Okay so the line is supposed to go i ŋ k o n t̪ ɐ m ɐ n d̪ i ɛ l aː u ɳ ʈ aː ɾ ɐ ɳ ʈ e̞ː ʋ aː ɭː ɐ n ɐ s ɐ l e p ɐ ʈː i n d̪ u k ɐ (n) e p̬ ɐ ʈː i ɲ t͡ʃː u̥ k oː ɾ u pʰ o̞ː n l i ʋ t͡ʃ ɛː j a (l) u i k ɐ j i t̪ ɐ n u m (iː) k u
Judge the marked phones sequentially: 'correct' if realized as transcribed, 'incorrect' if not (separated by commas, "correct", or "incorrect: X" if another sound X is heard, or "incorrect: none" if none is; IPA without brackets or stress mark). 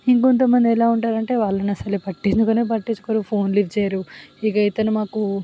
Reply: correct, incorrect: ɾ, incorrect: aː